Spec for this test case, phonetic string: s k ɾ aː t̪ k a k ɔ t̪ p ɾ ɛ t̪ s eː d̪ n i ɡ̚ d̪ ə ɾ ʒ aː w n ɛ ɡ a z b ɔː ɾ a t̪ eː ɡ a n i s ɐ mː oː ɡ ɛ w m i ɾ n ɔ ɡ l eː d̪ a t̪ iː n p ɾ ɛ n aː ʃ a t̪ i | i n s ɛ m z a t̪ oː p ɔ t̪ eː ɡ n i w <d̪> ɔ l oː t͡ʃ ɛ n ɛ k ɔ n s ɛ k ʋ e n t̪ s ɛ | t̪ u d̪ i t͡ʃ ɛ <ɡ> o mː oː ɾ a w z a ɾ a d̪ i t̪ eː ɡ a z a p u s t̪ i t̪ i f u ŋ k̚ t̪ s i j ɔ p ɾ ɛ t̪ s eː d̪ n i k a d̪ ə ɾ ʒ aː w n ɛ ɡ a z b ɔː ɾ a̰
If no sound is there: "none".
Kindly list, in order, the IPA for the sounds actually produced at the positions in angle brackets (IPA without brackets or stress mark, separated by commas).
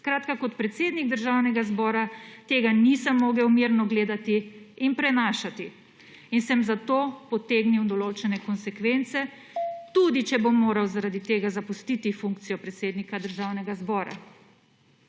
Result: d̪, b